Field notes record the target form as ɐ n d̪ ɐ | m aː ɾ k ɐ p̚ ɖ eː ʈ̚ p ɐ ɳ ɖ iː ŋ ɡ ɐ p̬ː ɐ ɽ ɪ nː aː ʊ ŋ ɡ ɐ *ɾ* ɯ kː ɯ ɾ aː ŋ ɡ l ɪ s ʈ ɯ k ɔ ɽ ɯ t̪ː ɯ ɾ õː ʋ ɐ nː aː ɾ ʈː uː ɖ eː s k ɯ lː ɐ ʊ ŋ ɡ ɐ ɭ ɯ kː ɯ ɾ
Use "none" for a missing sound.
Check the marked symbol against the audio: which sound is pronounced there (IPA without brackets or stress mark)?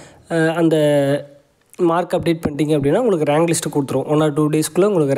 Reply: ɭ